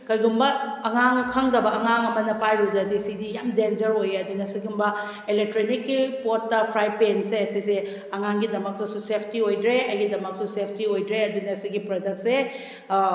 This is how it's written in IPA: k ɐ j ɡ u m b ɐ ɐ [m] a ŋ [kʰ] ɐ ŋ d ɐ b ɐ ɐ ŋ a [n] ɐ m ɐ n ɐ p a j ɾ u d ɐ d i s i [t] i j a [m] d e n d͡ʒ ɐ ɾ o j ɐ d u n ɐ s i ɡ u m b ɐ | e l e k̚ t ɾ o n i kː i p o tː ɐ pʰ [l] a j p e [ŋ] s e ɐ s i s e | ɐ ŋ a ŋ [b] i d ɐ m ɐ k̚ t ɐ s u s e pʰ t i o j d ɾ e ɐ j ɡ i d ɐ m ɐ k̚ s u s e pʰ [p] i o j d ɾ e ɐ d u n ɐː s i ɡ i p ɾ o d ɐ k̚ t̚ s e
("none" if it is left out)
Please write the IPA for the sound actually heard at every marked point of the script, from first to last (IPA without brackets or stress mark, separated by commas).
ŋ, kʰ, ŋ, d, m, ɾ, n, ɡ, t